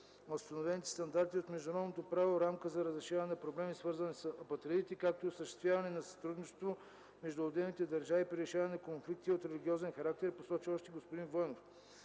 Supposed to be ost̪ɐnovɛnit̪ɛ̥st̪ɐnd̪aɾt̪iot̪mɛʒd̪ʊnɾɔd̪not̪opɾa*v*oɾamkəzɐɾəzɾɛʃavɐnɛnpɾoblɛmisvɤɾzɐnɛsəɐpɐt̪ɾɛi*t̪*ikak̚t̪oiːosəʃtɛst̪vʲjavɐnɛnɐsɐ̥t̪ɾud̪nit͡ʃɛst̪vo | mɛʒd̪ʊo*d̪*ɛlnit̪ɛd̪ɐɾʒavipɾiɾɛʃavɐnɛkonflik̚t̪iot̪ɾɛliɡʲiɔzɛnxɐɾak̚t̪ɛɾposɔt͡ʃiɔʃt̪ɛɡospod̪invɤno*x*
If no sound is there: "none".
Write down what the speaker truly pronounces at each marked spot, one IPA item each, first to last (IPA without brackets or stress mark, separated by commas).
v, t̪, d̪, f